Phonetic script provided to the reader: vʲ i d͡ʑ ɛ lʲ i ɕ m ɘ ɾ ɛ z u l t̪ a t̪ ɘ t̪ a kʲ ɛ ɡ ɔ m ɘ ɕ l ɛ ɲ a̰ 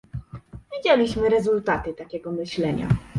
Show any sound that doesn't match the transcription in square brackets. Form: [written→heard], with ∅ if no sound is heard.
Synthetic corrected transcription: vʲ i d͡ʑ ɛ lʲ i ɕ m ɘ ɾ ɛ z u l t̪ a t̪ ɘ t̪ a kʲ ɛ ɡ ɔ m ɘ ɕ l ɛ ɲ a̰